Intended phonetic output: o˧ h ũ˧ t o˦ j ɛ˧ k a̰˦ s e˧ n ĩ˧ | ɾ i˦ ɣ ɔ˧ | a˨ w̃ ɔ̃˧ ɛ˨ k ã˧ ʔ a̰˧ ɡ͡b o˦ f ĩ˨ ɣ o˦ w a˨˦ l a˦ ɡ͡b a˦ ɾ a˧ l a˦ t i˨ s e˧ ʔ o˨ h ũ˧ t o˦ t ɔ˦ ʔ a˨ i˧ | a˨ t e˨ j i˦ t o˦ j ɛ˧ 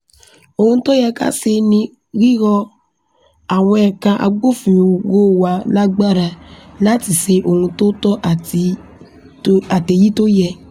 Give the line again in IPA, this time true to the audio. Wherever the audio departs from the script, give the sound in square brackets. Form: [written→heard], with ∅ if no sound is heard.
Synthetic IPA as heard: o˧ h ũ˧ t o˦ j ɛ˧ k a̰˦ s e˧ n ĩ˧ | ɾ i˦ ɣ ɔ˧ | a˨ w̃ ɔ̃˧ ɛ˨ k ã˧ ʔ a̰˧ ɡ͡b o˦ f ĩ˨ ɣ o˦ w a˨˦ l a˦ ɡ͡b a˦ ɾ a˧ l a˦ t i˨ s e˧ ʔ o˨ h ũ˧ t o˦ t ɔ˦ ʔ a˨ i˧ | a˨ t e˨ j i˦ t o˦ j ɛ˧